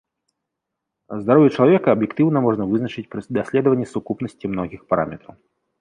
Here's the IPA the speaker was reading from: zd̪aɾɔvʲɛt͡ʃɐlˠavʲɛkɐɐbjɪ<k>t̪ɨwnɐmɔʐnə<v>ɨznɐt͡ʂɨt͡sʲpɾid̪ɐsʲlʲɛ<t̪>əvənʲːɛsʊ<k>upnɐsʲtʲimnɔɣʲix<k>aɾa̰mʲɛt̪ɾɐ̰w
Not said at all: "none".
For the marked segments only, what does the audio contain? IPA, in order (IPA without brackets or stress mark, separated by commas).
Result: k, v, d̪, k, p